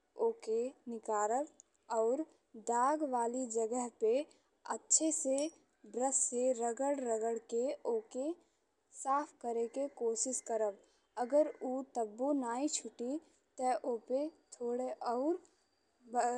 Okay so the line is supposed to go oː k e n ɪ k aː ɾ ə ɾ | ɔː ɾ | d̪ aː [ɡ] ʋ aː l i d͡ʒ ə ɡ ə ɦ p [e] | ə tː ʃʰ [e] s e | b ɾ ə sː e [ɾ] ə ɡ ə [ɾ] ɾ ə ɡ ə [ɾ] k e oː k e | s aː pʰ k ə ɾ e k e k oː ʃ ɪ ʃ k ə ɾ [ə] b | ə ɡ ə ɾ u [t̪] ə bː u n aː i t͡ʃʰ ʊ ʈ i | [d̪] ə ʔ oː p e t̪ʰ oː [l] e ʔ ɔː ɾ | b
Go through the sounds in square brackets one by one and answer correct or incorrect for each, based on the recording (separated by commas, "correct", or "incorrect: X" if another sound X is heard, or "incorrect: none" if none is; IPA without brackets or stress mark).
correct, correct, correct, correct, incorrect: ɽ, incorrect: ɽ, correct, correct, incorrect: t̪, incorrect: ɽ